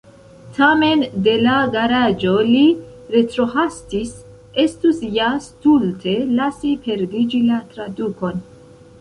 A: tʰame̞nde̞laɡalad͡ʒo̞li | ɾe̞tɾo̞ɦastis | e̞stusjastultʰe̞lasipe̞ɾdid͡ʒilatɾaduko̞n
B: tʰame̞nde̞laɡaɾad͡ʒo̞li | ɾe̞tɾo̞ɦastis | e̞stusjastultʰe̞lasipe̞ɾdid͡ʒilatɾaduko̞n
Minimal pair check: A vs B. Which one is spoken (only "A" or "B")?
B